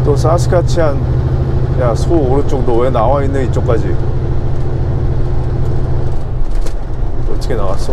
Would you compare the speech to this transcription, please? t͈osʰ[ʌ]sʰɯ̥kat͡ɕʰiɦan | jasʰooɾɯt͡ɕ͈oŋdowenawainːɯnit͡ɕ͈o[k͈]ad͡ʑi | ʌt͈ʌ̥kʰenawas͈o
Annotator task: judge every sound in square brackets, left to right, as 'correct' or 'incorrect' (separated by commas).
incorrect, correct